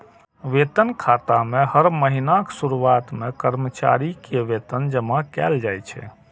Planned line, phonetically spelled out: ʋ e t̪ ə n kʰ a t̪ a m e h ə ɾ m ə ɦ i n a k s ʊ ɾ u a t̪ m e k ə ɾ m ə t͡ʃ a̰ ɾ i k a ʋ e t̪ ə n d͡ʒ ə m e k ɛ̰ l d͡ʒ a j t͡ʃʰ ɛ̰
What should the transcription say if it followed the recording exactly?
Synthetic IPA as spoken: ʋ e t̪ ə n kʰ a t̪ a m e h ə ɾ m ə ɦ i n a k s u ɾ u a t̪ m e k ə ɾ m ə t͡ʃ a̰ ɾ i k e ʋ e t̪ ə n d͡ʒ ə m a k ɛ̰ l d͡ʒ a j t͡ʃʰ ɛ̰